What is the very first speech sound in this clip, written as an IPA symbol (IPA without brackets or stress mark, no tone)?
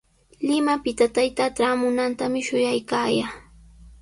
l